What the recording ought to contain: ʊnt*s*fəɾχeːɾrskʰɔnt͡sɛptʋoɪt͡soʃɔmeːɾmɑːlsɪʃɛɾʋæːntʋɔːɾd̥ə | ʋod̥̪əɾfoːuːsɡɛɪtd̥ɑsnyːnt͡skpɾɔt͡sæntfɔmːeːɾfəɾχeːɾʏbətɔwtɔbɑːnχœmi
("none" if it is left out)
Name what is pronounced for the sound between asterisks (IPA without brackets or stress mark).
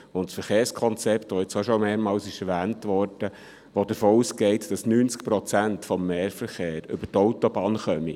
s